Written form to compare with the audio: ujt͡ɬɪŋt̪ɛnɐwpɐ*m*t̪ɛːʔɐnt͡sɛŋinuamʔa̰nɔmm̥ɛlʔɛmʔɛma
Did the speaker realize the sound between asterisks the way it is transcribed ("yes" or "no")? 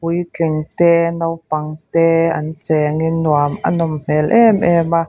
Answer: no